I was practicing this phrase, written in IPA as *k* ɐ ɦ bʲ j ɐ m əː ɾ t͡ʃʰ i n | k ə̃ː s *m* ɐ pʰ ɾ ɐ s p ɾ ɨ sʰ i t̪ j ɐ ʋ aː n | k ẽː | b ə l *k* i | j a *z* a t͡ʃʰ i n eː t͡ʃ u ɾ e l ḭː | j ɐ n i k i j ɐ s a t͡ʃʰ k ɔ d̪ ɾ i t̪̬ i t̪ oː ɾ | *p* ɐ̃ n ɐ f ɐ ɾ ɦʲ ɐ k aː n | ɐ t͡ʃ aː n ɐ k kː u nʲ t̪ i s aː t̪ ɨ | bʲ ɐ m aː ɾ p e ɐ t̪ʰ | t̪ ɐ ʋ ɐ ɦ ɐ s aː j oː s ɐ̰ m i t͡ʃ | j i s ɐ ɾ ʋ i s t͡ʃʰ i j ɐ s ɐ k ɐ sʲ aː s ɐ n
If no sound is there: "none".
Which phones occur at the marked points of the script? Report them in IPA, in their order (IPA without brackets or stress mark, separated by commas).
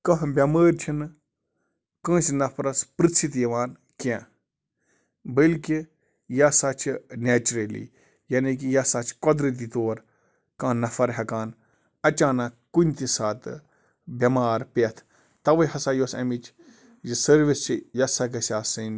k, n, k, s, k